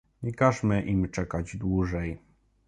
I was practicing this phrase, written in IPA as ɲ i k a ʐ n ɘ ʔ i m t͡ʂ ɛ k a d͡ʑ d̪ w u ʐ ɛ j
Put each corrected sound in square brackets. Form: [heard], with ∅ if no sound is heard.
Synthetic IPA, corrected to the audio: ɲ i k a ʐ [m] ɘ ʔ i m t͡ʂ ɛ k a d͡ʑ d̪ w u ʐ ɛ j